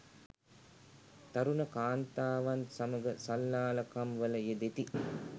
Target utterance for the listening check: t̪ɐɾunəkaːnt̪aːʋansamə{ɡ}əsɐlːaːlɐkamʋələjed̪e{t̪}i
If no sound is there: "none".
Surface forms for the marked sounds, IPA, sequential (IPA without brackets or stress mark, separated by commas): ɡ, t̪